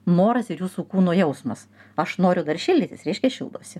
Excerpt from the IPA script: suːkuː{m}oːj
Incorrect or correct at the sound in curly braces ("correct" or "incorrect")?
incorrect